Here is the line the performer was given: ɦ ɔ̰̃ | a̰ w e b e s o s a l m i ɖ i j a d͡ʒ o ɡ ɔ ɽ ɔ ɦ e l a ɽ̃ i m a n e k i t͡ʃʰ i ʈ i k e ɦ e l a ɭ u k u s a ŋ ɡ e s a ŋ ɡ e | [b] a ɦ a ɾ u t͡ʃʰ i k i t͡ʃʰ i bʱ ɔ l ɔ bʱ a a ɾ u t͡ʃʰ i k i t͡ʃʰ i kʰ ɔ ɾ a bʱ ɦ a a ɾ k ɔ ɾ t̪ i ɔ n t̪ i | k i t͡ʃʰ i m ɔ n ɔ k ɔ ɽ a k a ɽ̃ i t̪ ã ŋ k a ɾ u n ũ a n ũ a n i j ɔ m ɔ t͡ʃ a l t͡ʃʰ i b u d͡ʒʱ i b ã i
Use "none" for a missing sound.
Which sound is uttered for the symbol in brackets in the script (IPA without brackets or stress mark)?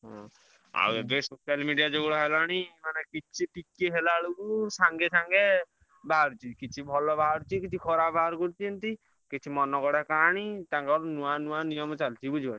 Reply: b